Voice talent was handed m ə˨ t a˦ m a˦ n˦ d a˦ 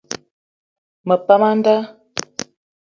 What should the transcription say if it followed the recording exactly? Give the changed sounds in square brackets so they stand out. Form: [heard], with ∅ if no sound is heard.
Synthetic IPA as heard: m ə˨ [p] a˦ m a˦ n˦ d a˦